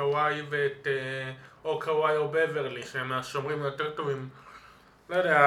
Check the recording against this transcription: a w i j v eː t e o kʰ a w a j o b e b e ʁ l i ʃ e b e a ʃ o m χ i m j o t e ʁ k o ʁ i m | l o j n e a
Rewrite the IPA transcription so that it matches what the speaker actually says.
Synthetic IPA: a w a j v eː t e o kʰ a w a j o b e v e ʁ l i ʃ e m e a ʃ o m ʁ i m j o t e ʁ t o v i m | l o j d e a